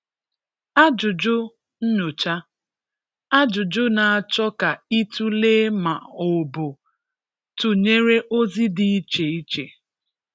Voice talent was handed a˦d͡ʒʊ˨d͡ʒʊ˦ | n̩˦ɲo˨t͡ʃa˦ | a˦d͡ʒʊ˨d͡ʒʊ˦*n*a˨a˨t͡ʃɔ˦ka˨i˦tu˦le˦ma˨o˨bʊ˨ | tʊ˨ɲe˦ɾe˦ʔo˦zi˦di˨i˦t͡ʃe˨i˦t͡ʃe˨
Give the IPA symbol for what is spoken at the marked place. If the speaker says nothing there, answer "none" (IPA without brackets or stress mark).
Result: n